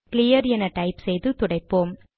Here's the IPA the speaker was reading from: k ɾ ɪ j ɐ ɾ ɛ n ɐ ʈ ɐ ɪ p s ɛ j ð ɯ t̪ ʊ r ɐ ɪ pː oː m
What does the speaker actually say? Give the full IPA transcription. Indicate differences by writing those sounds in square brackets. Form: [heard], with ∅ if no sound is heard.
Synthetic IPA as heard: k [l] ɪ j ɐ ɾ ɛ n ɐ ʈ ɐ ɪ p s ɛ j ð ɯ t̪ ʊ [ɽ] ɐ ɪ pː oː m